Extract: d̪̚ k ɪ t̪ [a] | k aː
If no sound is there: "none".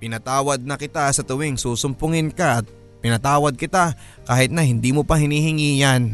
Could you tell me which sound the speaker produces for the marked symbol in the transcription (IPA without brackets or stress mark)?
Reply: a